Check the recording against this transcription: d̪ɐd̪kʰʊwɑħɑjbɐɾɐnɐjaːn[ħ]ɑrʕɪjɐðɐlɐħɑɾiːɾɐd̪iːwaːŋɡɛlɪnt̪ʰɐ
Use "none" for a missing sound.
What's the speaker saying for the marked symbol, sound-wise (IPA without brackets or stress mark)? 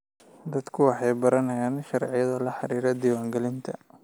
ʃ